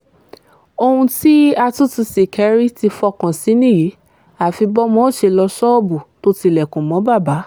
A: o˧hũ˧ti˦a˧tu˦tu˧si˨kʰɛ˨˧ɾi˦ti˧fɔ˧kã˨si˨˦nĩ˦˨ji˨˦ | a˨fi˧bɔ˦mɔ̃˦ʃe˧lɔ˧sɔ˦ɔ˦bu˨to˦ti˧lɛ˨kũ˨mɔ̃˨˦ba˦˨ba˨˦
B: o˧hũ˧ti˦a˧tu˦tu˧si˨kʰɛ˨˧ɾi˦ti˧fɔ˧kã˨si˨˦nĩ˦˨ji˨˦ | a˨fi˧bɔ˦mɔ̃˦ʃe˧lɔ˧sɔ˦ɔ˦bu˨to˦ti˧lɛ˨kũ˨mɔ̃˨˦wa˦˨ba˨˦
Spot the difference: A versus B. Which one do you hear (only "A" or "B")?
A